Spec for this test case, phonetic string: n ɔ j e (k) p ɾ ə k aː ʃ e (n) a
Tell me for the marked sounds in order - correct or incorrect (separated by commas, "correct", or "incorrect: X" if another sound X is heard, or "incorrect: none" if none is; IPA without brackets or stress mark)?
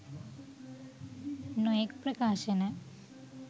correct, correct